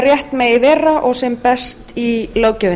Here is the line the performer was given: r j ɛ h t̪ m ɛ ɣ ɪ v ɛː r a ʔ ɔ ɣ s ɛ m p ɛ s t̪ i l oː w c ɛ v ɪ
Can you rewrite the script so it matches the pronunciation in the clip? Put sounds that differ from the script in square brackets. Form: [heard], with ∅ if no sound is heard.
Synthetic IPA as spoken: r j ɛ h t̪ m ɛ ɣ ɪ v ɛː r a ʔ ɔ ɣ s ɛ m p ɛ s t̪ i l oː w c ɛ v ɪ